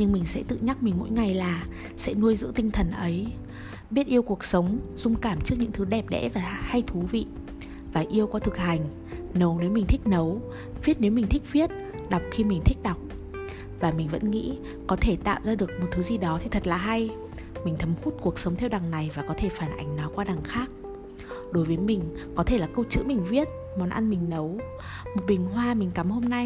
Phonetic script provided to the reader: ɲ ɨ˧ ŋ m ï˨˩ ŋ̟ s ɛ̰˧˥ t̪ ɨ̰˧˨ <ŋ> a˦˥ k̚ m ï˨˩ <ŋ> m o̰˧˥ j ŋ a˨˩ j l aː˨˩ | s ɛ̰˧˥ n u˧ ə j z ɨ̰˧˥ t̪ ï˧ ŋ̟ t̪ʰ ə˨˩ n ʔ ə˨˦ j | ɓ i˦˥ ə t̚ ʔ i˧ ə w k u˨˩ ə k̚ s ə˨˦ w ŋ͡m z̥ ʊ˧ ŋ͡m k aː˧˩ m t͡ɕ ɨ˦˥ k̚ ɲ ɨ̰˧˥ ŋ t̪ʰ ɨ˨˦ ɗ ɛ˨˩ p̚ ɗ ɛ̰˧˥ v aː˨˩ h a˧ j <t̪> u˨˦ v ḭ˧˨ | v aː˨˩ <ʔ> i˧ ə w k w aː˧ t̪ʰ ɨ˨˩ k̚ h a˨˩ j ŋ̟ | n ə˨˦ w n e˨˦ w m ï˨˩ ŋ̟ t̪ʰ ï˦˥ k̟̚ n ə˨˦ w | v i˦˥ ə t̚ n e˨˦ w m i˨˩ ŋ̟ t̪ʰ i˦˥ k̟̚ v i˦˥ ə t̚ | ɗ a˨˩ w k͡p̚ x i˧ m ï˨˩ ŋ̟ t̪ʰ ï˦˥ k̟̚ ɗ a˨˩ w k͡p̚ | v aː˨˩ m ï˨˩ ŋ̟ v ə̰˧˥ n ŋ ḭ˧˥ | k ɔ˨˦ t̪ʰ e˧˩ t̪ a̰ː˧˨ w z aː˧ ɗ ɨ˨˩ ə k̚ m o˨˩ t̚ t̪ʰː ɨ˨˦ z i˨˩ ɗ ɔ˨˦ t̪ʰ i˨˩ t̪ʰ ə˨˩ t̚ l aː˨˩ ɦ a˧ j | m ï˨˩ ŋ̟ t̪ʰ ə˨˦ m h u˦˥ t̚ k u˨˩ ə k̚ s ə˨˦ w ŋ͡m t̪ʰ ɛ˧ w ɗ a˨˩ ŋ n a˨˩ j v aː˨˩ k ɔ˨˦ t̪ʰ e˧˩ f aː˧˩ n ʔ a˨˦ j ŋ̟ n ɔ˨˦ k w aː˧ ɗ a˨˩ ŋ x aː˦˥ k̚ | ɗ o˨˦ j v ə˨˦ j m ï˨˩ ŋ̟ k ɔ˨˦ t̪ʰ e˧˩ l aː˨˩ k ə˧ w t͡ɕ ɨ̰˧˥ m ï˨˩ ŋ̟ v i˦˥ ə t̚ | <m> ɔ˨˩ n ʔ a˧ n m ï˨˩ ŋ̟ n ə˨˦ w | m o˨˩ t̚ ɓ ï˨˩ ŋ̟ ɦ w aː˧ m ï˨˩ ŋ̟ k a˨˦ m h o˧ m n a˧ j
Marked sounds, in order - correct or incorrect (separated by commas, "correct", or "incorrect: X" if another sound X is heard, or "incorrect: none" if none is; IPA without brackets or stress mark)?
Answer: incorrect: ɲ, correct, incorrect: t̪ʰ, correct, correct